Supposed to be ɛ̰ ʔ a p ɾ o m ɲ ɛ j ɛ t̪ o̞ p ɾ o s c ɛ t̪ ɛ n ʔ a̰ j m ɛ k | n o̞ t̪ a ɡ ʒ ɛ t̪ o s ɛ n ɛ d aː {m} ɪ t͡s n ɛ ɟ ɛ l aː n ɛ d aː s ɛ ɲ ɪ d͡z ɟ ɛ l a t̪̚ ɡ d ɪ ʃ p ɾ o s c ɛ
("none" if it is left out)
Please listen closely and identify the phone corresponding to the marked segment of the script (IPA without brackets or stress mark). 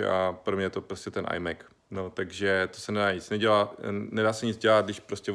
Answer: ɲ